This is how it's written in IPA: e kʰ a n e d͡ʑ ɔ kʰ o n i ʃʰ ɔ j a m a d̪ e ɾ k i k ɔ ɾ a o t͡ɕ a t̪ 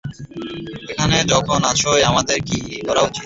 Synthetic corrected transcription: e kʰ a n e d͡ʑ ɔ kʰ o n a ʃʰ o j a m a d̪ e ɾ k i k ɔ ɾ a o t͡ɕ i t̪